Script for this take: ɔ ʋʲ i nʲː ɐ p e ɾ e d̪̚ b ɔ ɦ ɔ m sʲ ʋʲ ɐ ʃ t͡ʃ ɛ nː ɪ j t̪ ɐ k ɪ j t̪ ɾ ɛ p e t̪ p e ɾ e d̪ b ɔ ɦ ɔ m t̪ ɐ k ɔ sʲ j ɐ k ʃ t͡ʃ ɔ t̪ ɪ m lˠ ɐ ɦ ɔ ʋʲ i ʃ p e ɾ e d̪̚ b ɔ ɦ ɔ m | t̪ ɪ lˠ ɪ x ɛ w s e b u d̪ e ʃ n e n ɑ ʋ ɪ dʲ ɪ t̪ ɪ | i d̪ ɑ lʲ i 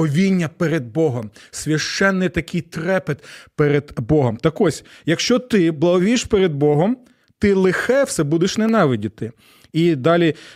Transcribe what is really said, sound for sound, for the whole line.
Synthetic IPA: ɔ ʋʲ i nʲː ɐ p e ɾ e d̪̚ b ɔ ɦ ɔ m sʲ ʋʲ ɐ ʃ t͡ʃ ɛ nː ɪ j t̪ ɐ k ɪ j t̪ ɾ ɛ p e t̪ p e ɾ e d̪ b ɔ ɦ ɔ m t̪ ɐ k ɔ sʲ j ɐ k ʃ t͡ʃ ɔ t̪ ɪ b lˠ ɐ ɦ ɔ ʋʲ i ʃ p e ɾ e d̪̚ b ɔ ɦ ɔ m | t̪ ɪ lˠ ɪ x ɛ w s ɛ b u d̪ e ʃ n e n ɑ ʋ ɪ dʲ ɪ t̪ ɪ | i d̪ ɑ lʲ i